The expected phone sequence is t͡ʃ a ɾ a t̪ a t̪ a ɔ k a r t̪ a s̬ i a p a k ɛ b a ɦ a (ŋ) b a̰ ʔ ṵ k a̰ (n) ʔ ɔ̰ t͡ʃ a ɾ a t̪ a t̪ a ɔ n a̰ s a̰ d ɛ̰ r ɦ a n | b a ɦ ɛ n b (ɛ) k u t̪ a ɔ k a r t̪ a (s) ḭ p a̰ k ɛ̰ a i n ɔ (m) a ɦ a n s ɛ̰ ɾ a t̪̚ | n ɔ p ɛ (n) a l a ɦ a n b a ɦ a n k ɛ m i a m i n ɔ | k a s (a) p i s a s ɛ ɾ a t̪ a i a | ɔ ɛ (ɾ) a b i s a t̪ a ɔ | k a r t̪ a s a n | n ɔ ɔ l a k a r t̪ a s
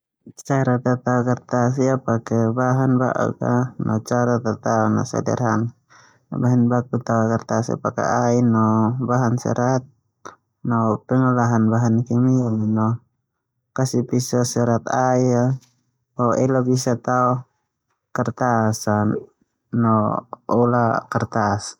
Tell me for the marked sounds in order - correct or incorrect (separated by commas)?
incorrect, correct, incorrect, correct, incorrect, incorrect, incorrect, incorrect